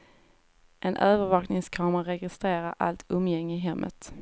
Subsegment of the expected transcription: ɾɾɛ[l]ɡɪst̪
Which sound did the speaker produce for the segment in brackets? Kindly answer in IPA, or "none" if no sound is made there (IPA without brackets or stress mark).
none